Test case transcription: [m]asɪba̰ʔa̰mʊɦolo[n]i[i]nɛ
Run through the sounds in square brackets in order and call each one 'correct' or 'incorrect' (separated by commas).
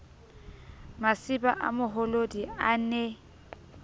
correct, incorrect, incorrect